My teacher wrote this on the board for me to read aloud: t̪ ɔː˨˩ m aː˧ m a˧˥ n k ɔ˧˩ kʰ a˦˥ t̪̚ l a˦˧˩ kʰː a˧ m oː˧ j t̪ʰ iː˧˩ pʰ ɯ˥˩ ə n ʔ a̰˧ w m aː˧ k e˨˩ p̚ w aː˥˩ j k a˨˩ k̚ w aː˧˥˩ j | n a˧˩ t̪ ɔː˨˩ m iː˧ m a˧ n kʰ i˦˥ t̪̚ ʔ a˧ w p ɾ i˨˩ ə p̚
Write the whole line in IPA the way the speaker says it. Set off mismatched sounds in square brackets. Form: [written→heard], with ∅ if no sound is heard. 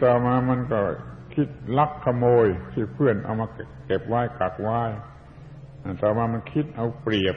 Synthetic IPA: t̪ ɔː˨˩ m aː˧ m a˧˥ n k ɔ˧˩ kʰ [a˦˥→i˦˥] t̪̚ l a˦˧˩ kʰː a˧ m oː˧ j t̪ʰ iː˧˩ pʰ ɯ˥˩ ə n ʔ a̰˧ w m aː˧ k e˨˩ p̚ w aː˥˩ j k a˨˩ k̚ w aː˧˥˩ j | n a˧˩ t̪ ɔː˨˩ m [iː˧→aː˧] m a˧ n kʰ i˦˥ t̪̚ ʔ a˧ w p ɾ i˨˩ ə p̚